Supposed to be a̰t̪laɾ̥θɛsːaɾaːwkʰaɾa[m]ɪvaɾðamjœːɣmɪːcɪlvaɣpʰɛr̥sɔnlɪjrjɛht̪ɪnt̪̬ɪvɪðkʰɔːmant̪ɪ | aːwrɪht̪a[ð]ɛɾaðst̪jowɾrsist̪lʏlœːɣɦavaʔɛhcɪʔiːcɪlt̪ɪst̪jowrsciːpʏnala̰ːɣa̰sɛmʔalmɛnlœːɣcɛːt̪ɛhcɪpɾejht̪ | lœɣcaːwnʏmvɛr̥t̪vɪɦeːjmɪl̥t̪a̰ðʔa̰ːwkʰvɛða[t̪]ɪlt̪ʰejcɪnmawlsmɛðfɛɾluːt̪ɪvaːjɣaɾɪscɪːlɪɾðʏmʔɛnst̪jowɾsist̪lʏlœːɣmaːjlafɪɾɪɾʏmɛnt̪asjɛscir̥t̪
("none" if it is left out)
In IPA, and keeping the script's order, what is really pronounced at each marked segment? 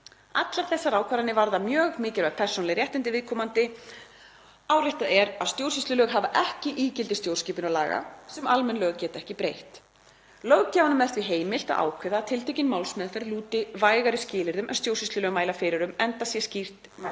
n, ð, t̪ʰ

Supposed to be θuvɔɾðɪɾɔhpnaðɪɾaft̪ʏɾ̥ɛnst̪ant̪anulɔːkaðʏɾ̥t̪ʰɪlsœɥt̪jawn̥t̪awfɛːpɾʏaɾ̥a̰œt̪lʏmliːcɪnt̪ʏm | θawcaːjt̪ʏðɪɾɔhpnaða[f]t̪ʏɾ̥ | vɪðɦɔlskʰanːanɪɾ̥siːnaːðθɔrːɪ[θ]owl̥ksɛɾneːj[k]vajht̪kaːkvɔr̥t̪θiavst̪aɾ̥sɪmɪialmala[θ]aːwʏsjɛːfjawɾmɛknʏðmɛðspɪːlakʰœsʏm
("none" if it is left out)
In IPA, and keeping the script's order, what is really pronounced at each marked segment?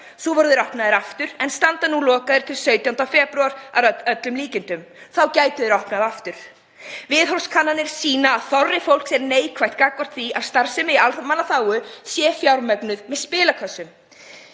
f, f, kʰ, θ

